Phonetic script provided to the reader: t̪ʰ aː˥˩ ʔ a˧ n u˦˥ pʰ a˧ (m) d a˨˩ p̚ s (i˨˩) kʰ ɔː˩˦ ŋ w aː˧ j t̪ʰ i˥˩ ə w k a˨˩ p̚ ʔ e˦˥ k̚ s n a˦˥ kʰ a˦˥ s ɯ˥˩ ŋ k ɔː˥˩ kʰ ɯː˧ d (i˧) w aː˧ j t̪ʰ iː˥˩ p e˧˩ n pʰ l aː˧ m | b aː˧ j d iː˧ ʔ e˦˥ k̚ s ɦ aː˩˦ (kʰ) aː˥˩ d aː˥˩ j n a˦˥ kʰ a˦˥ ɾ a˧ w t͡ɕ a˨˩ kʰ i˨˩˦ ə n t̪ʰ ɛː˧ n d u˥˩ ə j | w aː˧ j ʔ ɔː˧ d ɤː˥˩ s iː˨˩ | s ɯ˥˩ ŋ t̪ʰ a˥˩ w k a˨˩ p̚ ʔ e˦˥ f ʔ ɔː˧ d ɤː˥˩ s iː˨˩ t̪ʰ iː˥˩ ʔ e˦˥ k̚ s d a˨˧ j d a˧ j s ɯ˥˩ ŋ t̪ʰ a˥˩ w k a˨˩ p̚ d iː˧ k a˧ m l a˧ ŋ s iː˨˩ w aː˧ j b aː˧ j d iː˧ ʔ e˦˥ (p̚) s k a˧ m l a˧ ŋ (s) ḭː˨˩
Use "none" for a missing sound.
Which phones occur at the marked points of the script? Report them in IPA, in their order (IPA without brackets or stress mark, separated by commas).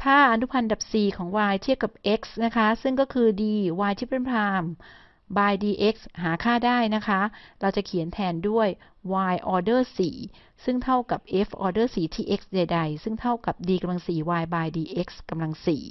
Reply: n, iː˨˩, iː˧, kʰ, k̚, s